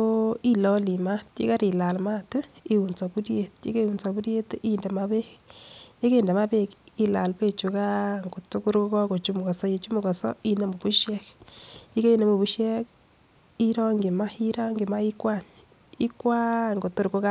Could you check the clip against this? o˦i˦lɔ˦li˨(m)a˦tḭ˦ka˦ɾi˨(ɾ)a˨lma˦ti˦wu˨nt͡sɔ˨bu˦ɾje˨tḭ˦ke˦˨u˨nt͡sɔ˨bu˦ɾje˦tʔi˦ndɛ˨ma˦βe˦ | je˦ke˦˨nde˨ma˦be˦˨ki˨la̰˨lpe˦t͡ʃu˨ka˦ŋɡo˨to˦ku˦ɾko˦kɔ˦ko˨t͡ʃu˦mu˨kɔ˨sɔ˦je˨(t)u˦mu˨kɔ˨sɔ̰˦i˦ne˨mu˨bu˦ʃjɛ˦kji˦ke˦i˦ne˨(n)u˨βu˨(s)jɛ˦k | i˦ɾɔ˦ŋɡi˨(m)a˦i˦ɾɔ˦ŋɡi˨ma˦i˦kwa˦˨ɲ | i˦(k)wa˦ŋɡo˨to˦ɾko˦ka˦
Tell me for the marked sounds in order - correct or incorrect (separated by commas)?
correct, incorrect, incorrect, incorrect, incorrect, correct, correct